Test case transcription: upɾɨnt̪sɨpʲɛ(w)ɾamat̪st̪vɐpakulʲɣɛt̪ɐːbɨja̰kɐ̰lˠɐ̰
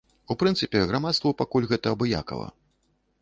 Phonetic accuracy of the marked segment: incorrect: ɣ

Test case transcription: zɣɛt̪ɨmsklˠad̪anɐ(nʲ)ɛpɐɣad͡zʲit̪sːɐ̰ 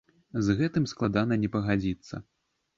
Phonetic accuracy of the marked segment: correct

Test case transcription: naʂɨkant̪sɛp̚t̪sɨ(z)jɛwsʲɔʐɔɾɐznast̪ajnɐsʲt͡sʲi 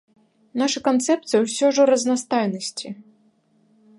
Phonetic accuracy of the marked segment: incorrect: none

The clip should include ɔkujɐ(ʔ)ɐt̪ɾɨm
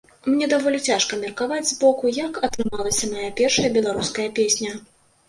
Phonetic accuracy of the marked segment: incorrect: k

